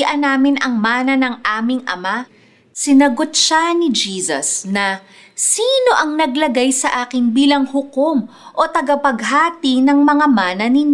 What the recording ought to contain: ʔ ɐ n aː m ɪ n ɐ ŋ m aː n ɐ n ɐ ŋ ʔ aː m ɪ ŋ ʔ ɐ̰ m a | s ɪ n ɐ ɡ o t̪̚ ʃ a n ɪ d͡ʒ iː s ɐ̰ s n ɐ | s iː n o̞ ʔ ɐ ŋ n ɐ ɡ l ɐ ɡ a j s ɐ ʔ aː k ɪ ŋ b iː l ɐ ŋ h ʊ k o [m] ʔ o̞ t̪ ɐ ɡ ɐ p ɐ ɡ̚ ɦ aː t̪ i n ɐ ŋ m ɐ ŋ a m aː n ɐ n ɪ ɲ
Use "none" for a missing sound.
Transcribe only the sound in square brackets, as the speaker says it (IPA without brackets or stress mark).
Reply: m